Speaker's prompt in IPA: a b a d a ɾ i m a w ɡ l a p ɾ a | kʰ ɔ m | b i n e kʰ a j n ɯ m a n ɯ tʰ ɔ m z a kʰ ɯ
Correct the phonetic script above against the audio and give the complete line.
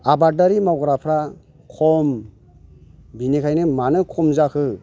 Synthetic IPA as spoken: a b a d a ɾ i m a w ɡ ɾ a pʰ ɾ a | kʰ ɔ m | b i n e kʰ a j n ɯ m a n ɯ kʰ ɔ m z a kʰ ɯ